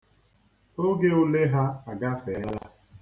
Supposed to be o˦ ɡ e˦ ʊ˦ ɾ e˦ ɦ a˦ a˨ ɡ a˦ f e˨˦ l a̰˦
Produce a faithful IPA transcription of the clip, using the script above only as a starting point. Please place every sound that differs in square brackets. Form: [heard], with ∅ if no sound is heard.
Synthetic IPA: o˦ ɡ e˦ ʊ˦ [l] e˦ ɦ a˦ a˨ ɡ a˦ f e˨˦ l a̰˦